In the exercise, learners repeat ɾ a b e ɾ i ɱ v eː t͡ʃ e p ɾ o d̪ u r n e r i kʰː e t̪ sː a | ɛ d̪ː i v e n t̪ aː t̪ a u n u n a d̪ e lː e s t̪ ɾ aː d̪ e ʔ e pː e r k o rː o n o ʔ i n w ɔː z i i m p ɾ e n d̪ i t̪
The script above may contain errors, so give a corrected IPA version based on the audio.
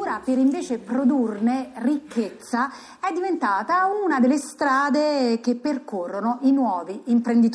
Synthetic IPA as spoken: ɾ a p e ɾ i ɱ v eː t͡ʃ e p ɾ o d̪ u r n e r i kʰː e t̪ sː a | ɛ d̪ː i v e n t̪ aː t̪ a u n u n a d̪ e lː e s t̪ ɾ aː d̪ e k e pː e r k o rː o n o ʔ i n w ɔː v i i m p ɾ e n d̪ i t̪